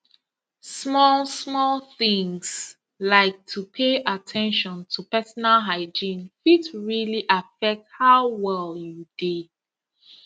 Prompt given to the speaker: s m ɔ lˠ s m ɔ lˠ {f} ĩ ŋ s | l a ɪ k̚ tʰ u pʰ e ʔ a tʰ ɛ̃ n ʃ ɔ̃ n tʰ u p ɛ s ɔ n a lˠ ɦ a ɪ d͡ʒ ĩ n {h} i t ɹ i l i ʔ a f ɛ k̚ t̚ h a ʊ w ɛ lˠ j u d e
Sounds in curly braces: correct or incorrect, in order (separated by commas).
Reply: incorrect, incorrect